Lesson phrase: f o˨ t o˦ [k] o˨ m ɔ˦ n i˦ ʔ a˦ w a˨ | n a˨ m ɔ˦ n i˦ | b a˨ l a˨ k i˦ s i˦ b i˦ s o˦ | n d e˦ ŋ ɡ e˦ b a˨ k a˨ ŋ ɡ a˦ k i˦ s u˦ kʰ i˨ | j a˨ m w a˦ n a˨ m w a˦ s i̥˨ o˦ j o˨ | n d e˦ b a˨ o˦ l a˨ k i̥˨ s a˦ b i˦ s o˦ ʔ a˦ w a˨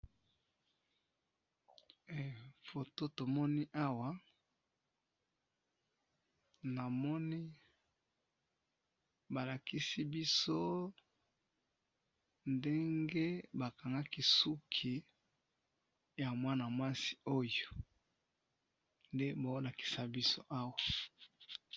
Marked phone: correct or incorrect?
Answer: incorrect